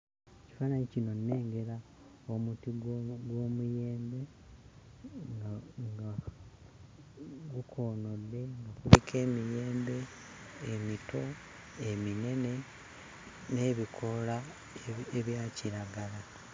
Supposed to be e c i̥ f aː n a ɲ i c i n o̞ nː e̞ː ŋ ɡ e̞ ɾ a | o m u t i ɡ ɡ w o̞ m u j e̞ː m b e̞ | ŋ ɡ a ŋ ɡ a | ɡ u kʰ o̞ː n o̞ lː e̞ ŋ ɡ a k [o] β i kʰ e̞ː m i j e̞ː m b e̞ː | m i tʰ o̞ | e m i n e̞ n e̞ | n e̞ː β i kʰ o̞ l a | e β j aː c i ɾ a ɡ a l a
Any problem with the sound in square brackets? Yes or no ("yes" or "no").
yes